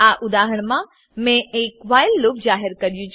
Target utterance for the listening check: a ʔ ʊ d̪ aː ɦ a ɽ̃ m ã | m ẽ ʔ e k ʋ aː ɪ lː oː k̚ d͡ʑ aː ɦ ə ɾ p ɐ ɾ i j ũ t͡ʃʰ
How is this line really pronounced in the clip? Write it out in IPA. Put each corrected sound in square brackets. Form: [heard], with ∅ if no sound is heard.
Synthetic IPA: a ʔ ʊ d̪ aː ɦ [ə] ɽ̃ m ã | m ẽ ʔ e k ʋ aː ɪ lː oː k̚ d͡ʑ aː ɦ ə ɾ [k] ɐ ɾ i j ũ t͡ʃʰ